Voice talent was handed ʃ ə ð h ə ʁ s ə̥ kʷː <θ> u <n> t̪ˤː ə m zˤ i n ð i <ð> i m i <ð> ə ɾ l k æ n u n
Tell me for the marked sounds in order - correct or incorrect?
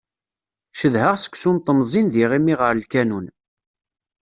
incorrect: s, correct, incorrect: ʁ, incorrect: ʁ

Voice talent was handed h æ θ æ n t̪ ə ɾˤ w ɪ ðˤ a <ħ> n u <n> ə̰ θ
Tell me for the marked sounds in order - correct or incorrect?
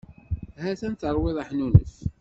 correct, correct

